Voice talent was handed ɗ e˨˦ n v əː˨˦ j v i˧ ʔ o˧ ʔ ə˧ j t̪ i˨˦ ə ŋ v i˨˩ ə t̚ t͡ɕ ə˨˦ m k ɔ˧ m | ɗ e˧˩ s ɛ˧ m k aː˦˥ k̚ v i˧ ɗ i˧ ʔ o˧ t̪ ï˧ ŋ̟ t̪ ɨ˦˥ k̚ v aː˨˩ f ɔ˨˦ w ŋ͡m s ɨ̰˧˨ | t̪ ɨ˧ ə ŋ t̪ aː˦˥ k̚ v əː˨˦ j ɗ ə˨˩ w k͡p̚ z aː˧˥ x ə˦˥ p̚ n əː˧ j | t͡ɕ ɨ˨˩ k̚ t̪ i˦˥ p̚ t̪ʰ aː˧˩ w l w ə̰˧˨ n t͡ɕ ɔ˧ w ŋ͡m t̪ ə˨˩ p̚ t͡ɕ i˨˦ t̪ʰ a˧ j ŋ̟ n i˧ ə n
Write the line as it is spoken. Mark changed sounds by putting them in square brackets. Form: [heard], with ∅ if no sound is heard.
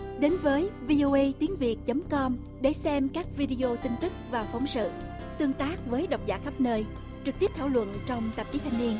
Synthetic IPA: ɗ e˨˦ n v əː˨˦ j v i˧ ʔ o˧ ʔ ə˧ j t̪ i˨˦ ə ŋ v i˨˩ ə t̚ t͡ɕ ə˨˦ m k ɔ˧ m | ɗ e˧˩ s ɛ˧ m k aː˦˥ k̚ v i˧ ɗ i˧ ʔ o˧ t̪ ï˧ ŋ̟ t̪ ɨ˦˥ k̚ v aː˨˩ f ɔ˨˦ w ŋ͡m s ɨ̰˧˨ | t̪ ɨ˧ ə ŋ t̪ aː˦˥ k̚ v əː˨˦ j ɗ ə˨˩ w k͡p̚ z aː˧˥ x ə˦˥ p̚ n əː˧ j | t͡ɕ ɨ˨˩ k̚ t̪ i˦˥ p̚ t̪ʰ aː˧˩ w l w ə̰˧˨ n t͡ɕ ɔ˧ w ŋ͡m t̪ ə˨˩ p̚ t͡ɕ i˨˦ t̪ʰ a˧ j ŋ̟ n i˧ ə n